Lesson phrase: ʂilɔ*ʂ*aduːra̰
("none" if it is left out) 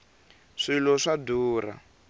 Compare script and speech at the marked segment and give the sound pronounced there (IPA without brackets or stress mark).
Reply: ʂ